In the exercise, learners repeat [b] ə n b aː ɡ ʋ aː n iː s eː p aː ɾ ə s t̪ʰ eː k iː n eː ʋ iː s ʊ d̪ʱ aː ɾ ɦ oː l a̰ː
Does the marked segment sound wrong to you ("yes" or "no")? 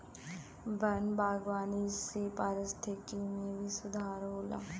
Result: no